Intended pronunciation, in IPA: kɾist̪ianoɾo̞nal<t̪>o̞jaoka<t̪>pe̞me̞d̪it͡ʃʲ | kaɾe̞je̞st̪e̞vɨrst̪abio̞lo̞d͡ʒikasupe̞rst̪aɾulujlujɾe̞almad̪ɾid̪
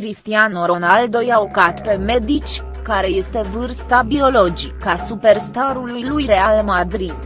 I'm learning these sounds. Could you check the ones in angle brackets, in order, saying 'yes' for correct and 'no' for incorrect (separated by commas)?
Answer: no, yes